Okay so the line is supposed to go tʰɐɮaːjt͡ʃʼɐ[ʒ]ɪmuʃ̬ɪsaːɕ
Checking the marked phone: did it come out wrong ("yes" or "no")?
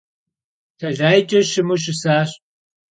yes